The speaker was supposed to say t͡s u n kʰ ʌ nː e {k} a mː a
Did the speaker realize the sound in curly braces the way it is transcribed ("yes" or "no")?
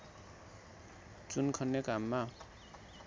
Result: yes